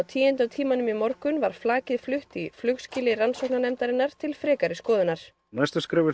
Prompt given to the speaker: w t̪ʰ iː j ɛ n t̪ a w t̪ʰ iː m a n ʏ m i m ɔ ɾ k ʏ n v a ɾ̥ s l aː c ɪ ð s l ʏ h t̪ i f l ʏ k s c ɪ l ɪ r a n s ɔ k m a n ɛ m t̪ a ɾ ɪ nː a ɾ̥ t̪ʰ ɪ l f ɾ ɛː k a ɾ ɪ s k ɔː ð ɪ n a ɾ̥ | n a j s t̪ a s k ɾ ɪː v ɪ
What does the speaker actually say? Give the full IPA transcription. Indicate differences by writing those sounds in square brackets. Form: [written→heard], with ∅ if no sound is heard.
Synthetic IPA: w t̪ʰ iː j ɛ n t̪ a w t̪ʰ iː m a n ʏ m i m ɔ ɾ k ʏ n v a ɾ̥ [s→f] l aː c ɪ ð [s→f] l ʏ h t̪ i f l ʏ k s c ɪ l ɪ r a n s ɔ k [m→n] a n ɛ m t̪ a ɾ ɪ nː a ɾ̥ t̪ʰ ɪ l f ɾ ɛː k a ɾ ɪ s k ɔː ð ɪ n a ɾ̥ | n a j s t̪ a s k ɾ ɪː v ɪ